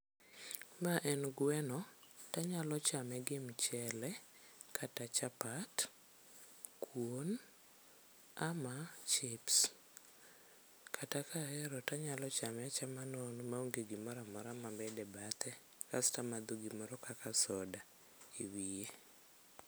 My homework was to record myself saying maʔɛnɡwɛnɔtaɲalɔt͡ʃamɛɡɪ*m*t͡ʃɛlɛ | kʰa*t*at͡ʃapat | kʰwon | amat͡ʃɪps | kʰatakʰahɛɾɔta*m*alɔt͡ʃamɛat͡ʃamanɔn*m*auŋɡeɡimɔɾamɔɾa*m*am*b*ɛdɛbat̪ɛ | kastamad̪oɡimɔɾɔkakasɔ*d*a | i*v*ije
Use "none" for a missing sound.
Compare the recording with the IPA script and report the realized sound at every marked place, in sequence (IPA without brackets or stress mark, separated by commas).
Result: m, t, ɲ, m, m, b, d, w